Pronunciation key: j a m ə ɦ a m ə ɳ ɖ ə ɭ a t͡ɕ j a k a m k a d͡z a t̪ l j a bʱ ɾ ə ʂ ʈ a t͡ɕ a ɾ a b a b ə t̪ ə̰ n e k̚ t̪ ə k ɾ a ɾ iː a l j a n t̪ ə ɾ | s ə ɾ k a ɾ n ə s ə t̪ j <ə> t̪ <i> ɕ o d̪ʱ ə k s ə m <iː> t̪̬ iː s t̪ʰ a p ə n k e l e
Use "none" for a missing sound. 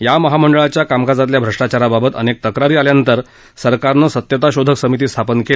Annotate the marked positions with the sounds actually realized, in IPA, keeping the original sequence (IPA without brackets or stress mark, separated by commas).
ə, a, i